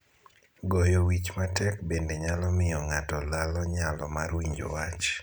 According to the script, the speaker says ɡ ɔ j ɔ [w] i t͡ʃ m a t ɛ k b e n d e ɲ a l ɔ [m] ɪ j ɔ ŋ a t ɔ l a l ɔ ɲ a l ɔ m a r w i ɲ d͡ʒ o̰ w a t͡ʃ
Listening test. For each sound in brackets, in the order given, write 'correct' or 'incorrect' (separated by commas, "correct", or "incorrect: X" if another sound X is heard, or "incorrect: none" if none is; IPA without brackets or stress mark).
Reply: correct, correct